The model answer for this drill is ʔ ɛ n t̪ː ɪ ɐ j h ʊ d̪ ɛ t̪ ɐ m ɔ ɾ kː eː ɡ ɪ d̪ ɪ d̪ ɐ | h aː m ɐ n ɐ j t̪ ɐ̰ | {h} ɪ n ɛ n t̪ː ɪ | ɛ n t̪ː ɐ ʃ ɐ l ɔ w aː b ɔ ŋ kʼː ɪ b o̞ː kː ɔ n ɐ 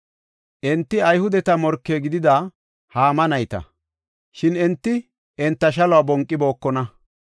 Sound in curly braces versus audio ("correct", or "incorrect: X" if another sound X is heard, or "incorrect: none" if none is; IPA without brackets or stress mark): incorrect: ʃ